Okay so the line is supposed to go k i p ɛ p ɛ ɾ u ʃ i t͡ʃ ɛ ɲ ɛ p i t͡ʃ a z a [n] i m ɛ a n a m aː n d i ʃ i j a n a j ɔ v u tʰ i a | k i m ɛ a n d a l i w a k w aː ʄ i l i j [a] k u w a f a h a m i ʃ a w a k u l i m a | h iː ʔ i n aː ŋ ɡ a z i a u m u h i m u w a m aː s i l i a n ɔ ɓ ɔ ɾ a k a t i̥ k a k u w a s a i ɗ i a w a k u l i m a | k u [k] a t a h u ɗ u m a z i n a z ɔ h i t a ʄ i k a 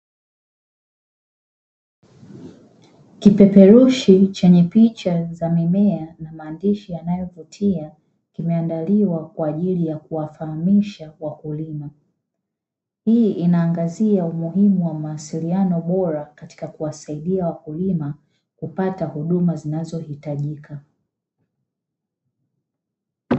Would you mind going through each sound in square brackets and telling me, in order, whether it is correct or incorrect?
incorrect, correct, incorrect

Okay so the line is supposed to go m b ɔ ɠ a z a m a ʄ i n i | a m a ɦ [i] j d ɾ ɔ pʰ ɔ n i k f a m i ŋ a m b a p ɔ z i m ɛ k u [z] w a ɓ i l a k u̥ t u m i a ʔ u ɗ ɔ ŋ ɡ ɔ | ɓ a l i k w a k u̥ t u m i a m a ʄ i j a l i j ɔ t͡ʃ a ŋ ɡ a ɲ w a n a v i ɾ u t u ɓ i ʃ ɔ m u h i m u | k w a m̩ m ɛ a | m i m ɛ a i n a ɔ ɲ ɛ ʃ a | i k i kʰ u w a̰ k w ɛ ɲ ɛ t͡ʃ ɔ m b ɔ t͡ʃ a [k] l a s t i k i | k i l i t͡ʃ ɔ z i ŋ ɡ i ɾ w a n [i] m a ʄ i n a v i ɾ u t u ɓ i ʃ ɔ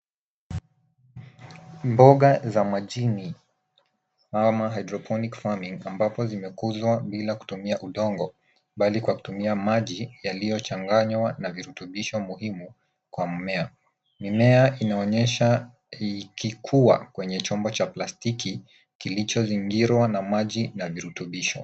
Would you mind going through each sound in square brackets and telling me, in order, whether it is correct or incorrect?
incorrect, correct, incorrect, incorrect

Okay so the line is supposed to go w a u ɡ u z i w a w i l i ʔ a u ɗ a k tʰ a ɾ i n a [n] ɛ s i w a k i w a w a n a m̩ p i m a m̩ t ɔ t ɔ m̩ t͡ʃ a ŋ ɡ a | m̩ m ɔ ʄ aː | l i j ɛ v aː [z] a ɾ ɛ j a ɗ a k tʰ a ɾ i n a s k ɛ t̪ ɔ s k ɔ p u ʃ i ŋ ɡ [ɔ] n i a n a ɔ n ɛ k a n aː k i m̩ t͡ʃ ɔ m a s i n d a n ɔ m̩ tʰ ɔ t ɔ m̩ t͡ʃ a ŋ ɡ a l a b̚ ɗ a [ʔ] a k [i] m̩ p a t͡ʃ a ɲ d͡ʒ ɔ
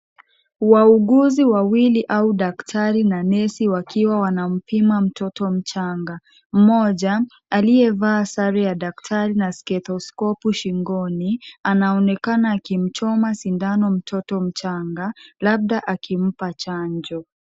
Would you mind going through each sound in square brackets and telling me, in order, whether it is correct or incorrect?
correct, incorrect, correct, correct, correct

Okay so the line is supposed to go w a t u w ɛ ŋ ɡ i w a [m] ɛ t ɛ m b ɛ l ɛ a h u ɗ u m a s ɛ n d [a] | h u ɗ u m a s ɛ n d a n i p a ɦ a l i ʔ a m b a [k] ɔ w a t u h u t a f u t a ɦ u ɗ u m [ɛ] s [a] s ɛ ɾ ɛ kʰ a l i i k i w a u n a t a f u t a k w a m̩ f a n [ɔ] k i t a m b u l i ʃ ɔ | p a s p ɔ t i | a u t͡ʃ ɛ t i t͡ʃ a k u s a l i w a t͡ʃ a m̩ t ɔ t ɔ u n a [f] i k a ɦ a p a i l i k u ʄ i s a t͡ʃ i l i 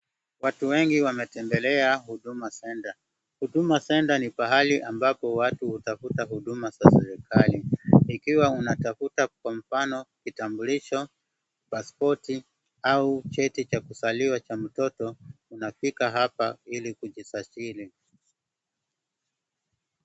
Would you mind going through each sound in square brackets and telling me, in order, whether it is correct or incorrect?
correct, correct, incorrect, incorrect, correct, correct, correct

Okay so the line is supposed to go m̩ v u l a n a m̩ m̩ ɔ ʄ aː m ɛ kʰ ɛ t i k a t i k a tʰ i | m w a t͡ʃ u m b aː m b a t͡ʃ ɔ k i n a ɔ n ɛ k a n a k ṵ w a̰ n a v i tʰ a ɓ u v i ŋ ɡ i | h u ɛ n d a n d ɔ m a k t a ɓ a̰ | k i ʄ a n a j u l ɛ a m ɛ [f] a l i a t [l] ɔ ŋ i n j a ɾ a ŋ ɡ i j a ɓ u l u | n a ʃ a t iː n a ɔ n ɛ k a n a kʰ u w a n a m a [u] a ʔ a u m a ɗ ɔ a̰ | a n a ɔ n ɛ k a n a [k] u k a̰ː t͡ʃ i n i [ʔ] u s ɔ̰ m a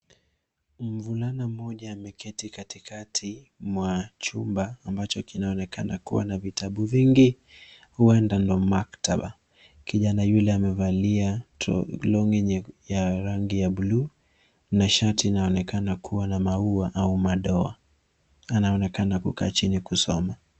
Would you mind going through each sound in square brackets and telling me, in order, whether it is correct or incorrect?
incorrect, correct, correct, correct, incorrect

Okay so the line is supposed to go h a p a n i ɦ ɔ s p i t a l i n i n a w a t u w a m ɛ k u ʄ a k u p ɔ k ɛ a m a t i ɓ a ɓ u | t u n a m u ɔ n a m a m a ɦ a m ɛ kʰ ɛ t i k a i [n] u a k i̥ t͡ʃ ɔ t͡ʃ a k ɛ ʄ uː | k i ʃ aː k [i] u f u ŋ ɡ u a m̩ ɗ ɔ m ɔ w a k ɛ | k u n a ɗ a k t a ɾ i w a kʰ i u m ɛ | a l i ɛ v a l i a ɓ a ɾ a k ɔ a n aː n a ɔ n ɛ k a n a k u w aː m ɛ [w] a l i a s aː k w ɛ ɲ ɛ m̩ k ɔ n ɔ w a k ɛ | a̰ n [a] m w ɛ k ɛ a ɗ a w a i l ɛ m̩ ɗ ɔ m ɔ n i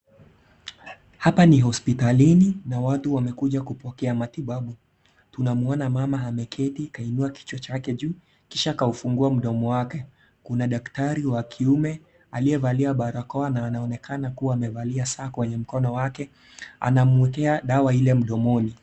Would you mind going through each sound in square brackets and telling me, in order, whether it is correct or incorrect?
correct, incorrect, incorrect, correct

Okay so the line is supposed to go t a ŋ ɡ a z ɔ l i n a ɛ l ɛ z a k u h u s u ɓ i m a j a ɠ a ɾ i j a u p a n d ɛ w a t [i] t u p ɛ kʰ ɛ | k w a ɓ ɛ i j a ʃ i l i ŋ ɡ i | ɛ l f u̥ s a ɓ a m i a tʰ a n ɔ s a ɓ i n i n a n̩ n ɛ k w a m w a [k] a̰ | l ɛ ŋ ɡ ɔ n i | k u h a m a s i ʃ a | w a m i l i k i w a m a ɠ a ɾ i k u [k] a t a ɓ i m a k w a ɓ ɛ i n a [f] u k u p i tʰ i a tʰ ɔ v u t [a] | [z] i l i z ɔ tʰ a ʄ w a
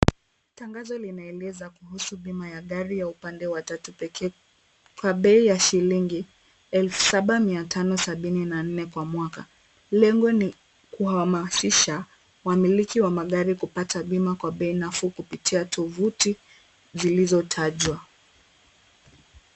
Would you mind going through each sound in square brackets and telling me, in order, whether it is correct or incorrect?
incorrect, correct, incorrect, correct, incorrect, correct

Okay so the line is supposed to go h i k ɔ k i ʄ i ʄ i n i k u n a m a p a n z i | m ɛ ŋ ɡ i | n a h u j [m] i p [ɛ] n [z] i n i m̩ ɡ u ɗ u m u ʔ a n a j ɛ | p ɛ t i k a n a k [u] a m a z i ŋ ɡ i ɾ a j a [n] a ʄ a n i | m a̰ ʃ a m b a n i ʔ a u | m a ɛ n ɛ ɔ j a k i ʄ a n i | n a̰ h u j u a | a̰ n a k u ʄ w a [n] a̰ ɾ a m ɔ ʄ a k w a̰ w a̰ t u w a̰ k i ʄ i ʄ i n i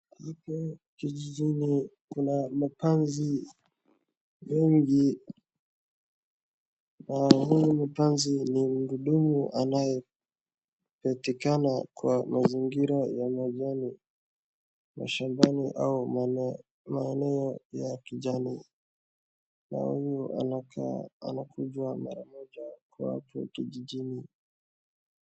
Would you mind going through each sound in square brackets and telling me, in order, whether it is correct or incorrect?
correct, incorrect, correct, incorrect, incorrect, incorrect

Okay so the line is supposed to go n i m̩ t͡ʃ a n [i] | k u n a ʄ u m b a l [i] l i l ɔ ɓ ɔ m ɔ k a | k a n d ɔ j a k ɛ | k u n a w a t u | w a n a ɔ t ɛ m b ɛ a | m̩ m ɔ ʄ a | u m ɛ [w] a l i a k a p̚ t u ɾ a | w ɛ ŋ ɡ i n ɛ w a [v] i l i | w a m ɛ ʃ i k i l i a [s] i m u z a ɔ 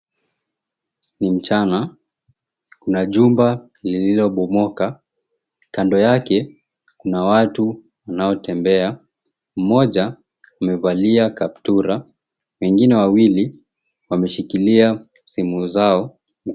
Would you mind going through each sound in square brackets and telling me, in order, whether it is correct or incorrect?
incorrect, correct, incorrect, incorrect, correct

